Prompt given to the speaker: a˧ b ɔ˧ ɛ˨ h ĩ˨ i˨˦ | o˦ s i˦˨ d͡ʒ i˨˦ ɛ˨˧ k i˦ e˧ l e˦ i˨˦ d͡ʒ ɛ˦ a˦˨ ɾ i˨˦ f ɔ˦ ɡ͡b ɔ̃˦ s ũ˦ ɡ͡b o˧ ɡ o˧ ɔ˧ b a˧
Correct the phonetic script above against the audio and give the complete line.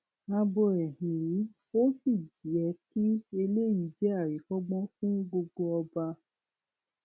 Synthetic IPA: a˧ b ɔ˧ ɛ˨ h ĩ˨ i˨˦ | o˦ s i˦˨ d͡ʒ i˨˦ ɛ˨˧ k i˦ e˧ l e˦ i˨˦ d͡ʒ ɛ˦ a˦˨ ɾ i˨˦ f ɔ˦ ɡ͡b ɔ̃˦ f ũ˦ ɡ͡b o˧ ɡ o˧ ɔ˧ b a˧